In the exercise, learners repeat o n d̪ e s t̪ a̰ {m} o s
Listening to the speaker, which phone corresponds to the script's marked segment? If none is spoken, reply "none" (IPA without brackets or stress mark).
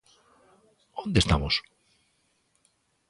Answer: m